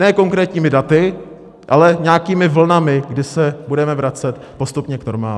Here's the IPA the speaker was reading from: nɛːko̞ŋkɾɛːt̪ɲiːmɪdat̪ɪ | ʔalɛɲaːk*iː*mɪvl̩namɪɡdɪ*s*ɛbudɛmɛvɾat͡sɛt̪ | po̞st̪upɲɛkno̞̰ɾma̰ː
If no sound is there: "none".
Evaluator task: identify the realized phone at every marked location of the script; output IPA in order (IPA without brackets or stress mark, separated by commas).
iː, s